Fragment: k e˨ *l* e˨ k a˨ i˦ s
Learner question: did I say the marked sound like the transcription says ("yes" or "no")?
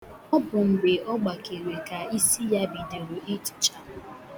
no